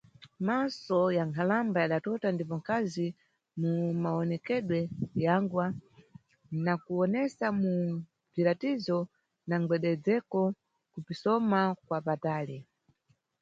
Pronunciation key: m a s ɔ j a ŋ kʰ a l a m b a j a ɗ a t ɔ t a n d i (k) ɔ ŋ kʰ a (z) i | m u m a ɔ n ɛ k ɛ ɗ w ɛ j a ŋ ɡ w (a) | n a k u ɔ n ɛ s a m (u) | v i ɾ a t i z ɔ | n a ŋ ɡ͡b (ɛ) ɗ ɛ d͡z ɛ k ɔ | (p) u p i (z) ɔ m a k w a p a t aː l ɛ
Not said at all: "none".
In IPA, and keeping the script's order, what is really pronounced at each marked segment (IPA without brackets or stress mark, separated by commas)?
p, z, a, u, ɛ, k, s